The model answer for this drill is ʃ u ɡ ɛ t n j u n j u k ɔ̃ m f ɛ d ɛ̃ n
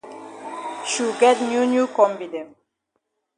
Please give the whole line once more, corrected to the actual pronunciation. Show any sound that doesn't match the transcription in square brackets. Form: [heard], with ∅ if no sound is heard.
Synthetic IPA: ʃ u ɡ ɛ t n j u n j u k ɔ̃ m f [i] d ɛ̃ n